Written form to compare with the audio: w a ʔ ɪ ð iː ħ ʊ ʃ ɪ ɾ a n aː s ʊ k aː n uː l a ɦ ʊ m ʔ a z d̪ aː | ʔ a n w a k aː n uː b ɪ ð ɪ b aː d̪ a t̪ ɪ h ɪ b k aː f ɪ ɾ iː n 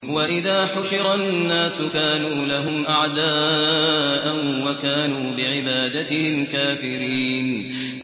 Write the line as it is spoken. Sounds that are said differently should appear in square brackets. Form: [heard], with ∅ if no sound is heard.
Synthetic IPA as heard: w a ʔ ɪ ð [aː] ħ ʊ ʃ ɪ ɾ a [nː] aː s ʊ k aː n uː l a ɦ ʊ m ʔ a [ʕ] d̪ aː | ʔ a n w a k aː n uː b ɪ [ʕ] ɪ b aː d̪ a t̪ ɪ h ɪ [m] k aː f ɪ ɾ iː n